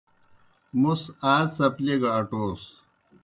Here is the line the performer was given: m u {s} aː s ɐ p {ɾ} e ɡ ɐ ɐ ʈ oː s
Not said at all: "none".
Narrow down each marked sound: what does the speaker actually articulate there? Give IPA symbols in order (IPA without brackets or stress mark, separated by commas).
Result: s, l